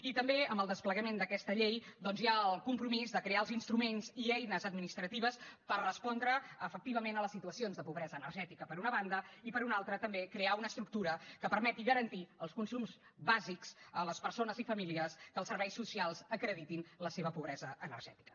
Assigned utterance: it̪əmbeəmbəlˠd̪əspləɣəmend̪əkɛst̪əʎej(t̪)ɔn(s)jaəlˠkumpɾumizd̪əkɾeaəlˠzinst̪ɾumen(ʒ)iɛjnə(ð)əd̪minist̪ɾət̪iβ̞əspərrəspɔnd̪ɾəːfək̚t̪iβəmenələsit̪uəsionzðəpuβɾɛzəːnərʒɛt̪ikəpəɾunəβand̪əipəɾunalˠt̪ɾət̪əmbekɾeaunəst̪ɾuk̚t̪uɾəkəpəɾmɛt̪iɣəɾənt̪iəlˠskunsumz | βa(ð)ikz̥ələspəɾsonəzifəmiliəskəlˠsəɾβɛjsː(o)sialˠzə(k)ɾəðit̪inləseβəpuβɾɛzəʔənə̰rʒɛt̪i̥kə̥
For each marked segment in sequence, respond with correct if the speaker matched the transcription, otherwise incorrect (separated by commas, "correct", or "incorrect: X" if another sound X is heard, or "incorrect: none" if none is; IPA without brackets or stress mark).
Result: incorrect: d̪, incorrect: z, incorrect: z, incorrect: z, incorrect: z, incorrect: u, correct